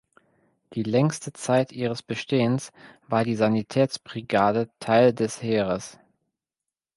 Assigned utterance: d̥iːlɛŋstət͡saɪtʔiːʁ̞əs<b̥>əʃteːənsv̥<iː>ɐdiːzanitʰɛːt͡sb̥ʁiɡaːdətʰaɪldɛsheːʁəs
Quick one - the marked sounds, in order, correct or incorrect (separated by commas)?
correct, incorrect